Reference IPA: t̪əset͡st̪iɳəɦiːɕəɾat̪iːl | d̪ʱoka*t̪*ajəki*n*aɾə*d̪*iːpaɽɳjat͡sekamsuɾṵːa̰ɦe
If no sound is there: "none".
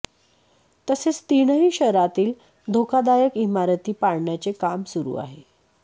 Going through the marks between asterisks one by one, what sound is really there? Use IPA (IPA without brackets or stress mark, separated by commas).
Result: d̪, m, t̪